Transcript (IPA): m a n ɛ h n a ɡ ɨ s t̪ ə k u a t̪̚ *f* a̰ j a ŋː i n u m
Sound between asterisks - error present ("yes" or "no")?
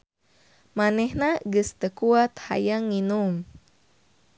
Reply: yes